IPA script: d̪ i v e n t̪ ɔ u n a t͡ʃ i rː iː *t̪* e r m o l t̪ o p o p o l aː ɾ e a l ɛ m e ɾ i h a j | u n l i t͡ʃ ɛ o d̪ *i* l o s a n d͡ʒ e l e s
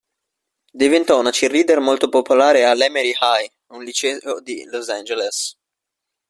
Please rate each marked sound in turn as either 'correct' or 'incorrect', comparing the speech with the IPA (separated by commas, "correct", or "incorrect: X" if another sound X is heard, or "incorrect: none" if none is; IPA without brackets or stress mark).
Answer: incorrect: d̪, correct